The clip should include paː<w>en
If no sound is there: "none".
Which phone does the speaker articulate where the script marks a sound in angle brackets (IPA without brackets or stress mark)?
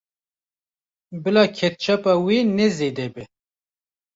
w